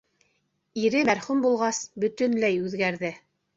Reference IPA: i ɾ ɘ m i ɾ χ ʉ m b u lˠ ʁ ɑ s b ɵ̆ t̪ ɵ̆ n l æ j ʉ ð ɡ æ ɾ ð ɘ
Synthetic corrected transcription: i ɾ ɘ m æ ɾ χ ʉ m b u lˠ ʁ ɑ s b ɵ̆ t̪ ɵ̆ n l æ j ʉ ð ɡ æ ɾ ð ɘ